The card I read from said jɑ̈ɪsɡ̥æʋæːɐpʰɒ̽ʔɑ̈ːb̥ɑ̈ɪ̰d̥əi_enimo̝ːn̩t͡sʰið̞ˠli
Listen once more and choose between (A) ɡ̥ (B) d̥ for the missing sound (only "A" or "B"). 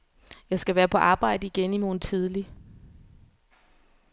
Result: A